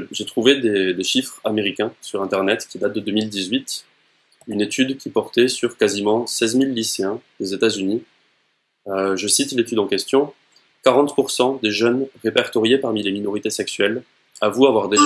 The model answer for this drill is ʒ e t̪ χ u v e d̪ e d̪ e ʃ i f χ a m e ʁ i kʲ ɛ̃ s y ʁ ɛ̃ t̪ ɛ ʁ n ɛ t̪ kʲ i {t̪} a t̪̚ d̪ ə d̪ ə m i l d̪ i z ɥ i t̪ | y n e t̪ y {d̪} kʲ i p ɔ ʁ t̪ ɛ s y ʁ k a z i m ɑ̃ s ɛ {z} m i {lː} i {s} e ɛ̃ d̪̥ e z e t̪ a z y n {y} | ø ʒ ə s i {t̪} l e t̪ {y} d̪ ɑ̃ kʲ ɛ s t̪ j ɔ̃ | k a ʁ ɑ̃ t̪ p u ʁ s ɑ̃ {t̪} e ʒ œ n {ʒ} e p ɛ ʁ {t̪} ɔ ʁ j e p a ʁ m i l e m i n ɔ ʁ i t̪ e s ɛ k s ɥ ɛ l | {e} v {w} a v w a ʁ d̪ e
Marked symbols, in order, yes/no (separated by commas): no, yes, yes, yes, yes, no, yes, yes, no, no, yes, no, no